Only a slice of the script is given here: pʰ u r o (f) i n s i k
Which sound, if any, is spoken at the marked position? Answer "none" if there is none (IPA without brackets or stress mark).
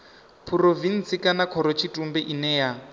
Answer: v